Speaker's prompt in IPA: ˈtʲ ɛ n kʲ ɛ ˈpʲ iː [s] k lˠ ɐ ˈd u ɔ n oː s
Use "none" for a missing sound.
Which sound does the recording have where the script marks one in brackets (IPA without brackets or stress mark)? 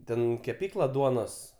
none